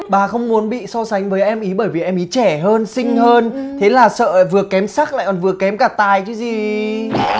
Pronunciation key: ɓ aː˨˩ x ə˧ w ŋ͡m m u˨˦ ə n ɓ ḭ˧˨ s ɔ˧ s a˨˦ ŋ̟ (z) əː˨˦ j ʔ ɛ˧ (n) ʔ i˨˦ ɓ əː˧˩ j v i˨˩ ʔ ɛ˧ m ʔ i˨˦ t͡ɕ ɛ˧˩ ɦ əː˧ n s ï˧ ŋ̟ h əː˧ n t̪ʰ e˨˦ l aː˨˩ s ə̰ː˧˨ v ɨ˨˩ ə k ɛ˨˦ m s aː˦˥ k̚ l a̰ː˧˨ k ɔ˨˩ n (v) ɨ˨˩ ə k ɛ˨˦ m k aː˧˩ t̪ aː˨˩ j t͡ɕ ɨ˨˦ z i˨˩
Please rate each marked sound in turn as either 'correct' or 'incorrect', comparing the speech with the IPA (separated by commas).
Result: incorrect, incorrect, correct